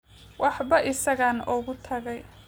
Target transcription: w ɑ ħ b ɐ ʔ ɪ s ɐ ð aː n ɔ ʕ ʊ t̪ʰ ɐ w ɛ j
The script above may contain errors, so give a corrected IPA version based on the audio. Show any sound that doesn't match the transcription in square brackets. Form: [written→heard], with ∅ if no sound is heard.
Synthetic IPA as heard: w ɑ ħ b ɐ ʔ ɪ s ɐ [ð→ɣ] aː n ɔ [ʕ→ɣ] ʊ t̪ʰ ɐ [w→ɣ] ɛ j